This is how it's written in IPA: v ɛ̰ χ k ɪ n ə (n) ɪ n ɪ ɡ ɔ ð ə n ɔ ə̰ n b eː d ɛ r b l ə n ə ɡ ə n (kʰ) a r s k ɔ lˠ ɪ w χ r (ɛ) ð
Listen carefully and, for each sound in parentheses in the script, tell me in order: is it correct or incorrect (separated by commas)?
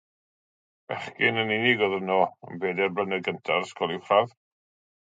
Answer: correct, incorrect, incorrect